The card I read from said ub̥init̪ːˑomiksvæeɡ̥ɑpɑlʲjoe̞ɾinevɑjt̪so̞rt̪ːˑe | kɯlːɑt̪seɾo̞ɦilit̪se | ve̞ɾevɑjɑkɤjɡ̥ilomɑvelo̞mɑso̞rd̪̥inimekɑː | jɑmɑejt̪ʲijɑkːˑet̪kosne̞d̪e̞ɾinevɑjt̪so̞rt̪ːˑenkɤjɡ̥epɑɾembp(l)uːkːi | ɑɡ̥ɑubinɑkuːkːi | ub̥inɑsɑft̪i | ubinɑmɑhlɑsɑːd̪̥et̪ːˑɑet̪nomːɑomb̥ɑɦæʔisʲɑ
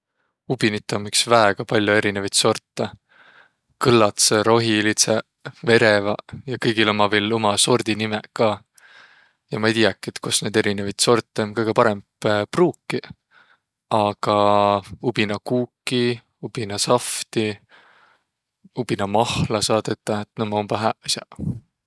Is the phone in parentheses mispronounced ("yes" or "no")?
yes